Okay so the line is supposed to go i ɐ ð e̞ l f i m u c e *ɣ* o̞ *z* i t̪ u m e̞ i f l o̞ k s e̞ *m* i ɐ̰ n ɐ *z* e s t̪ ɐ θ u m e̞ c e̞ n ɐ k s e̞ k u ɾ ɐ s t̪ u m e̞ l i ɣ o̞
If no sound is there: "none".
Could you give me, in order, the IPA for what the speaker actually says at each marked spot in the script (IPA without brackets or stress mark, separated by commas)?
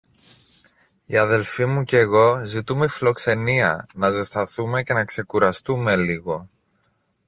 ɣ, z, n, z